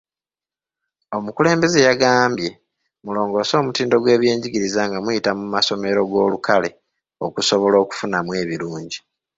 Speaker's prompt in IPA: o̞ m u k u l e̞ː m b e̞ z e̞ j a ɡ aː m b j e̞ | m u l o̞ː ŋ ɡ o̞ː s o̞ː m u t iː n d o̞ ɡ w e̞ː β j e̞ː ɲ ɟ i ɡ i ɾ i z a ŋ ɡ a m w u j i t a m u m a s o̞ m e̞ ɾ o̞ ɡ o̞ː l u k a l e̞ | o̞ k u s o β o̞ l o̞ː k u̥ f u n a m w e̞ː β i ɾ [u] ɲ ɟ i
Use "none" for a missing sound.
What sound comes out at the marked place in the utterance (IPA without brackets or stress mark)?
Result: uː